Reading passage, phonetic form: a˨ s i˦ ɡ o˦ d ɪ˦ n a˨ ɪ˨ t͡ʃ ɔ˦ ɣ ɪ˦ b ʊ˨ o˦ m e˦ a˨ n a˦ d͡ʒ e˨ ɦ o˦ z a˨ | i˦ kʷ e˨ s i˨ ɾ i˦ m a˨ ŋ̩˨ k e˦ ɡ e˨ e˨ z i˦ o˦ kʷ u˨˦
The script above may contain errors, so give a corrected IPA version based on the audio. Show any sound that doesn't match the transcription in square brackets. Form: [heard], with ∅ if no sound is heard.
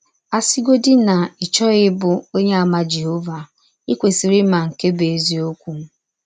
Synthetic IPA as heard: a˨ s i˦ ɡ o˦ d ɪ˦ n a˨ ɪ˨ t͡ʃ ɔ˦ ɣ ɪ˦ b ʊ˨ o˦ [ɲ] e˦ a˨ [m] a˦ d͡ʒ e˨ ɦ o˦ [v] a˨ | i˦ kʷ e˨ s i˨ ɾ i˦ m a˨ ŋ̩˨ k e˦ [b] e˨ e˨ z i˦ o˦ kʷ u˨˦

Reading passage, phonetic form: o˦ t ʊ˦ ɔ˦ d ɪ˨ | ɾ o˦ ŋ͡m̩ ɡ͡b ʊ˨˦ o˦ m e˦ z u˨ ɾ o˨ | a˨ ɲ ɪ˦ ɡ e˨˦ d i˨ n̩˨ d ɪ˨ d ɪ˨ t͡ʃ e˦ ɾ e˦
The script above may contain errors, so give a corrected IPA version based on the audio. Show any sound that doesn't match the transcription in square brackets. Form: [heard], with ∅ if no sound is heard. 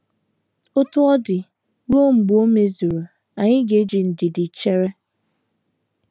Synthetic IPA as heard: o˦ t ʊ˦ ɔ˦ d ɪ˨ | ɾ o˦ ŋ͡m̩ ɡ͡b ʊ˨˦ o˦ m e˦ z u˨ ɾ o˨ | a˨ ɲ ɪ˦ ɡ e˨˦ [d͡ʒ] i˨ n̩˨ d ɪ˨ d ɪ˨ t͡ʃ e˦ ɾ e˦

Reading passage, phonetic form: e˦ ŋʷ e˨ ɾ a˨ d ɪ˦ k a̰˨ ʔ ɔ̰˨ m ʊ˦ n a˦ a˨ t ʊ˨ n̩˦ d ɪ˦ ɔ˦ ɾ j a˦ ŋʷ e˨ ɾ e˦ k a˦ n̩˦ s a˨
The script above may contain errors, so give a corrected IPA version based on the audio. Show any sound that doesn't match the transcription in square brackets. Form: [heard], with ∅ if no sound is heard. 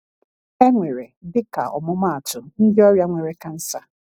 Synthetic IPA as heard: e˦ ŋʷ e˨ ɾ [e˨] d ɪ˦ k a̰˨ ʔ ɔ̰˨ m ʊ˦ [m] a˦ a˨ t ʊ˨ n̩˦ d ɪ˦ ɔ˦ ɾ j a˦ ŋʷ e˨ ɾ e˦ k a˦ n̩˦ s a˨

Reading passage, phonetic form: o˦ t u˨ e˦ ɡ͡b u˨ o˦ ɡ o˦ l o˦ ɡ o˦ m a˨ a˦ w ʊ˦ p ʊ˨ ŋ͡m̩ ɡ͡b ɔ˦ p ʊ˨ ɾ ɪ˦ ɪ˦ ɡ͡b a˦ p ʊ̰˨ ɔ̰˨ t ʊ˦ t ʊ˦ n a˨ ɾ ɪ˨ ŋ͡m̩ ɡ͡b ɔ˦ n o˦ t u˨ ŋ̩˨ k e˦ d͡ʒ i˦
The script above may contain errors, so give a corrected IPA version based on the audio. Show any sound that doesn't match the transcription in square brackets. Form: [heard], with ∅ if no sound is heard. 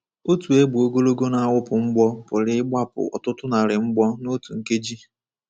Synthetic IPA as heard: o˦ t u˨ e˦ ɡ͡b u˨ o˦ ɡ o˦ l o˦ ɡ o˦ [n] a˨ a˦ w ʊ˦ p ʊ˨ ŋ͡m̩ ɡ͡b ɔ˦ p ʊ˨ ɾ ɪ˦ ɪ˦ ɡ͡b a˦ p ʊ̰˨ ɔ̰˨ t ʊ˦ t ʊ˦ n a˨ ɾ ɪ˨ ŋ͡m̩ ɡ͡b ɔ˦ n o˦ t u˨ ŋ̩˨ k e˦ d͡ʒ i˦

